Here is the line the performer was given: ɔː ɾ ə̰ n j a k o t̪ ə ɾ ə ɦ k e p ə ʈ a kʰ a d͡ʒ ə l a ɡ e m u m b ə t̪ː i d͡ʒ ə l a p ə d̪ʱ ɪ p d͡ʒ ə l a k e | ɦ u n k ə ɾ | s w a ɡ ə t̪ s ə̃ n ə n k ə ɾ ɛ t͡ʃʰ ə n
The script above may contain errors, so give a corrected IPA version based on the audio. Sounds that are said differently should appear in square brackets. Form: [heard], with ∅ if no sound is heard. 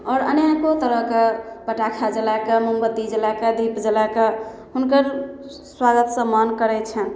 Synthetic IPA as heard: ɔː ɾ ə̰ n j a k o t̪ ə ɾ ə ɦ k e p ə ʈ a kʰ a d͡ʒ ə l a [k] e m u m b ə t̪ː i d͡ʒ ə l a [k] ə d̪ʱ [i] p d͡ʒ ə l a k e | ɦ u n k ə ɾ | s w a ɡ ə t̪ s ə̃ [m] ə n k ə ɾ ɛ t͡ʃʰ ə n